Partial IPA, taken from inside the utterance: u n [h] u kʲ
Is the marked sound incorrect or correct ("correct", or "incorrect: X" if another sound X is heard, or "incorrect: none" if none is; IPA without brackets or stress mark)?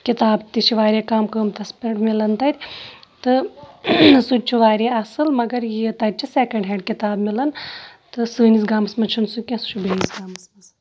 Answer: incorrect: s